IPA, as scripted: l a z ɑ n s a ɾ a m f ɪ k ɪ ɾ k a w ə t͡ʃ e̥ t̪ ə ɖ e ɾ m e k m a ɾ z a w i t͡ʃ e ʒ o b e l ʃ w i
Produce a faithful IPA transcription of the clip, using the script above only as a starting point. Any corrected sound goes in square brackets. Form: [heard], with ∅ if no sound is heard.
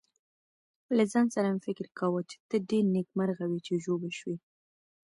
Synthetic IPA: l a z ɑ n s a ɾ a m f ɪ k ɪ ɾ k a w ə t͡ʃ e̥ t̪ ə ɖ e ɾ [n] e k m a ɾ [ɣ] a w i t͡ʃ e ʒ o b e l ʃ w i